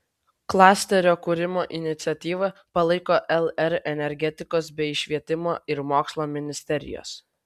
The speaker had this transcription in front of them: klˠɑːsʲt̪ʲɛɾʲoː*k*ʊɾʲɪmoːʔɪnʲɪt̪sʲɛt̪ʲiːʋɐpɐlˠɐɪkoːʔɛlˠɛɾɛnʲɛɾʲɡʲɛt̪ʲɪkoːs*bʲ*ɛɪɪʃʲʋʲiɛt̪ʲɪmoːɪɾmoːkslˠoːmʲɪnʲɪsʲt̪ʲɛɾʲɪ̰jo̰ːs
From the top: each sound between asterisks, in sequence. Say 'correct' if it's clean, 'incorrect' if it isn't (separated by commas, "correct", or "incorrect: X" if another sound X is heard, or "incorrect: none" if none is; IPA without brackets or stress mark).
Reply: correct, correct